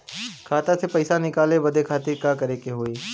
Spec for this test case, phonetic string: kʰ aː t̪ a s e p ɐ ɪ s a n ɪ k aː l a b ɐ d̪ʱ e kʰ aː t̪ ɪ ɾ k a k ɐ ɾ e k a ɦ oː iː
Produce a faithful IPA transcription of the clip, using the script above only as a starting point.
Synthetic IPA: kʰ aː t̪ a s e p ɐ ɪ s a n ɪ k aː l e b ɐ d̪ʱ e kʰ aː t̪ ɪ ɾ k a k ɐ ɾ e k e ɦ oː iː

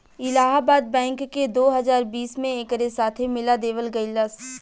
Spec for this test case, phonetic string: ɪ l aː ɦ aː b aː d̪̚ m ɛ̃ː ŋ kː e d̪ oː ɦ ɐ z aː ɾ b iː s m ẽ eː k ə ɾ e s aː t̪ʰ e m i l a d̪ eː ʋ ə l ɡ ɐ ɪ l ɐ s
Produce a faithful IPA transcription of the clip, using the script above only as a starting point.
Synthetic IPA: ɪ l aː ɦ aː b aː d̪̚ b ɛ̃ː ŋ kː e d̪ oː ɦ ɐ z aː ɾ b iː s m ẽ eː k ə ɾ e s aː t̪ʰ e m ɪ l a d̪ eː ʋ ə l ɡ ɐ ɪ l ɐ s

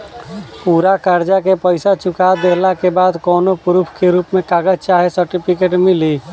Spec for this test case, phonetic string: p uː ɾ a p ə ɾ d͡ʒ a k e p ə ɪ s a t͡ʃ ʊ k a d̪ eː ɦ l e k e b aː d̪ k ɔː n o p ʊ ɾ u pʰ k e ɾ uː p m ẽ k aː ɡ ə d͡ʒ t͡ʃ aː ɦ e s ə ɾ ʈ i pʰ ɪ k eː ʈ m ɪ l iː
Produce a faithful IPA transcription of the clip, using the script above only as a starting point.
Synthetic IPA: p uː ɾ a k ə ɾ d͡ʒ a k e p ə ɪ s a t͡ʃ ʊ k a d̪ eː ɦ l a k e b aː d̪ k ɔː n o p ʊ ɾ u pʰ k e ɾ uː p m ẽ k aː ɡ ə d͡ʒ t͡ʃ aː ɦ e s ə ɾ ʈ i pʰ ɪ k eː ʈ m ɪ l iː

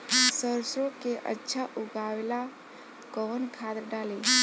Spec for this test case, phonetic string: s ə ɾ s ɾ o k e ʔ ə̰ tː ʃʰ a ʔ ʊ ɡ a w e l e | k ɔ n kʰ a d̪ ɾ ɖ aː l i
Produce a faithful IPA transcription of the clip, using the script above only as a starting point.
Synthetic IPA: s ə ɾ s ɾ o k e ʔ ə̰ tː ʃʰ a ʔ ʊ ɡ a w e l a | k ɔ n kʰ a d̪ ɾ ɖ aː l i

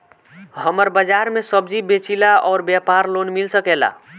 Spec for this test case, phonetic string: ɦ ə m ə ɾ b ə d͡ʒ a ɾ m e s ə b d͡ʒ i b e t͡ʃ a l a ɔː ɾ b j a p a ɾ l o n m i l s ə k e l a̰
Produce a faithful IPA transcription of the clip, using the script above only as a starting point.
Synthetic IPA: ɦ ə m ə ɾ b ə d͡ʒ a ɾ m e s ə b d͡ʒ i b e t͡ʃ i l a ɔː ɾ b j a p a ɾ l o n m i l s ə k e l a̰

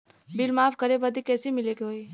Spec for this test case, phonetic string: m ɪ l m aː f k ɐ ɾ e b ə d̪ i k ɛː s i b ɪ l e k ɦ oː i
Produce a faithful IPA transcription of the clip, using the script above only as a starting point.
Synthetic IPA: b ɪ l m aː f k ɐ ɾ e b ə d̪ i k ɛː s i m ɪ l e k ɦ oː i

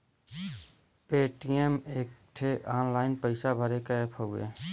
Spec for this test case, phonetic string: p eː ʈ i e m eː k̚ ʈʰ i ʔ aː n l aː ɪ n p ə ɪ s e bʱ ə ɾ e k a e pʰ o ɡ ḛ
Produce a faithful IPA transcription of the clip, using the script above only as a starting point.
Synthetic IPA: p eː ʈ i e m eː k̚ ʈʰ e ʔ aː n l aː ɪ n p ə ɪ s a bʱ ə ɾ e k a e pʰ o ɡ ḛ

